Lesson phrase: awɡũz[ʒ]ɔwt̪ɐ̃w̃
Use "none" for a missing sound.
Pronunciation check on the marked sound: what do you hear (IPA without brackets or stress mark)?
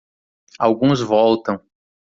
v